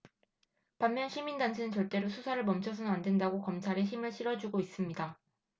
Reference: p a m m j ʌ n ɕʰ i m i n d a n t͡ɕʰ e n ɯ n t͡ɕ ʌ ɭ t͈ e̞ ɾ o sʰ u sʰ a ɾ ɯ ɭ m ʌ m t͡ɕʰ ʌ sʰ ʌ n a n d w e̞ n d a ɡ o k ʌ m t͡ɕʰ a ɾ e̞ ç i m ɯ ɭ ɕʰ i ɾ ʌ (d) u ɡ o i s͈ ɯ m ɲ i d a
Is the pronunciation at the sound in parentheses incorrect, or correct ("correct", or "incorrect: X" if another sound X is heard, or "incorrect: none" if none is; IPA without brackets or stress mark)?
incorrect: d͡ʑ